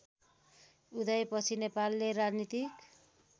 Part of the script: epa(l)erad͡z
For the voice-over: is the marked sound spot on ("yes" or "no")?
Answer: no